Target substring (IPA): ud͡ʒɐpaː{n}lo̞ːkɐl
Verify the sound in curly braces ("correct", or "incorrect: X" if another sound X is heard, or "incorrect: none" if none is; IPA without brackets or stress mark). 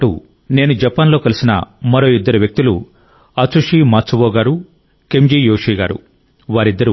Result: correct